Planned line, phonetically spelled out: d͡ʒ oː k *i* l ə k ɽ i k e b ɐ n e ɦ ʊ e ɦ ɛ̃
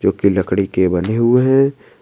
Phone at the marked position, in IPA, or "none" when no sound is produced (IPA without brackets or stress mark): i